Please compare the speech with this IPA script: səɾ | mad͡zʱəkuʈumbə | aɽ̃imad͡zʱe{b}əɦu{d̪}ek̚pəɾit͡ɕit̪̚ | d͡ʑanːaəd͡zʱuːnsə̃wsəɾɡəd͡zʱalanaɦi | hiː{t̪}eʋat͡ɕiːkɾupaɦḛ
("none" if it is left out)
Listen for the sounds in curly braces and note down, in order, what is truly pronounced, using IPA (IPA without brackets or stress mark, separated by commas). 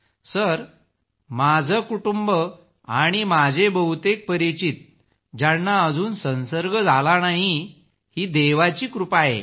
b, t̪, d̪